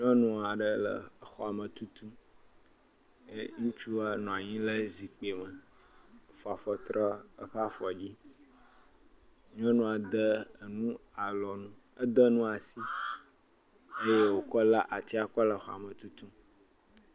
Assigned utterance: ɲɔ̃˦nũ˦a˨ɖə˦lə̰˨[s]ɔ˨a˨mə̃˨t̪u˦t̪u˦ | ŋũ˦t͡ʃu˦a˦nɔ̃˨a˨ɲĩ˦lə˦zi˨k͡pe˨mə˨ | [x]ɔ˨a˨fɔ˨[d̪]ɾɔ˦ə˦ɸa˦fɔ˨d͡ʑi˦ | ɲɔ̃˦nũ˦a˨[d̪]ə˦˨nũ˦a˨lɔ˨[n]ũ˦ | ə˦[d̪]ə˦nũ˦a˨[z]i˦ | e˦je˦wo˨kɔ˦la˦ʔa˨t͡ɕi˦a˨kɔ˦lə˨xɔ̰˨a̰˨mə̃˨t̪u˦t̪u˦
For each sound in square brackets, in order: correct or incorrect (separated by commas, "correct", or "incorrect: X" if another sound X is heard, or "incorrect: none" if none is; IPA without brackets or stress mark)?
incorrect: x, incorrect: f, incorrect: t̪, correct, correct, correct, incorrect: s